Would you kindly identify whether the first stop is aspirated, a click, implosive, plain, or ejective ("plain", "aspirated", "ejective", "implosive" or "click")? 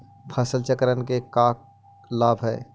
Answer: aspirated